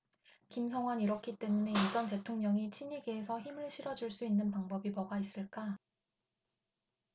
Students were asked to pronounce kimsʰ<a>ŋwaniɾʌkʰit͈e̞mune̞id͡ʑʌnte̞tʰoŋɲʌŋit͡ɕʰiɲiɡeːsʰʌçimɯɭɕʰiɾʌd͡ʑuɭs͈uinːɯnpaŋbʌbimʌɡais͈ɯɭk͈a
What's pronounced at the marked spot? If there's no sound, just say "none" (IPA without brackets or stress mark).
ʌ